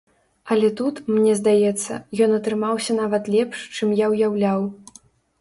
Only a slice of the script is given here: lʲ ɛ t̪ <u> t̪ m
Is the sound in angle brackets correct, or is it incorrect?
correct